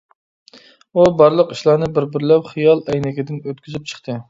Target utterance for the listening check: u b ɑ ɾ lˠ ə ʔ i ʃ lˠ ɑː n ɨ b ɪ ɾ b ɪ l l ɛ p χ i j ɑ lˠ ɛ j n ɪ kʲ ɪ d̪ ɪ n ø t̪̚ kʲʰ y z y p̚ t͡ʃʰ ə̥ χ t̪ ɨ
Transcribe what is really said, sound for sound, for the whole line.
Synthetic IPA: u b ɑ ɾ lˠ ə q i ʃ lˠ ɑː n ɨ b ɪ ɾ b ɪ ɾ l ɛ p χ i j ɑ lˠ ɛ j n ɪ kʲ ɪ d̪ ɪ n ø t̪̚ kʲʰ y z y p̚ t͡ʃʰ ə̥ χ t̪ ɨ